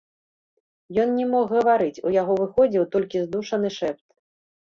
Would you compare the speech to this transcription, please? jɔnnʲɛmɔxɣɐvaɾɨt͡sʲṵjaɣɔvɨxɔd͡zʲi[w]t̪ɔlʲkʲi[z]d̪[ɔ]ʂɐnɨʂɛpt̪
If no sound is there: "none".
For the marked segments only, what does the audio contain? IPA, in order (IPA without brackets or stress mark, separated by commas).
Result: w, z, u